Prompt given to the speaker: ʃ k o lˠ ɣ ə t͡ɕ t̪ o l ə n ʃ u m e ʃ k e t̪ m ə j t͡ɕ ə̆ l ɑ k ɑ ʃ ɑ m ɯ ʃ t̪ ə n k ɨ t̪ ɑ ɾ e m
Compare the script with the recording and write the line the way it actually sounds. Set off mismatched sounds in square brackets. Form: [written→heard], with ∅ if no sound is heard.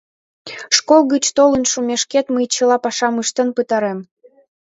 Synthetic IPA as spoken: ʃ k o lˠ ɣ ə t͡ɕ t̪ o l ə n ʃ u m e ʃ k e t̪ m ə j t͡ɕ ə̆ l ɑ [k→p] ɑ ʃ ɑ m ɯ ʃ t̪ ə n [k→p] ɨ t̪ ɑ ɾ e m